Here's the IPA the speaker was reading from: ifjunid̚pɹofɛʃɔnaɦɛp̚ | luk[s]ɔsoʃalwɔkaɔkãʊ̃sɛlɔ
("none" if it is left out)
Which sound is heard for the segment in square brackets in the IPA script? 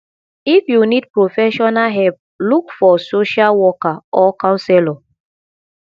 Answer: f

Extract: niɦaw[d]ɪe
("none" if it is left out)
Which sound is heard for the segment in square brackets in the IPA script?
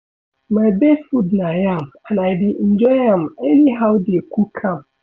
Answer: d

